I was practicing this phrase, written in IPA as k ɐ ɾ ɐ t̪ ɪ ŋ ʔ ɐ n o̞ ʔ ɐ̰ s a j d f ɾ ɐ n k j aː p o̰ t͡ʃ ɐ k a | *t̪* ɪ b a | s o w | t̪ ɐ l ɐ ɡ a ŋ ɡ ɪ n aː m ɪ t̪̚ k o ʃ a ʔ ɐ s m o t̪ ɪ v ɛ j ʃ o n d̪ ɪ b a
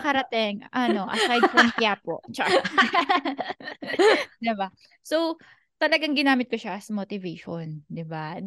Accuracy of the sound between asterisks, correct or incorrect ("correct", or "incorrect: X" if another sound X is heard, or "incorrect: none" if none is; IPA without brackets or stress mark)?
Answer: incorrect: d̪